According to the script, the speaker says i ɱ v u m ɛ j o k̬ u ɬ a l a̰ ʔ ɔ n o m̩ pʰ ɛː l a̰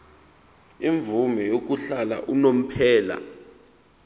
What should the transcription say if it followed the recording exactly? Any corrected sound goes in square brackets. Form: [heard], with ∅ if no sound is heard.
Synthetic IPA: i ɱ v u m ɛ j o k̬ u ɬ a l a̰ ʔ [u] n o m̩ pʰ ɛː l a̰

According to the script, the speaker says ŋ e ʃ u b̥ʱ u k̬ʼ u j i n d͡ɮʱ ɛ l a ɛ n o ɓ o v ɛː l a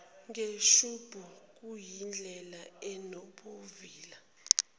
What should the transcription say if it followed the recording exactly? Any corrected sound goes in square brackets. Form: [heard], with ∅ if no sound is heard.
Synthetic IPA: ŋ e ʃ u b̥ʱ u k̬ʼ u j i n d͡ɮʱ ɛ l a ɛ n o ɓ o v [iː] l a

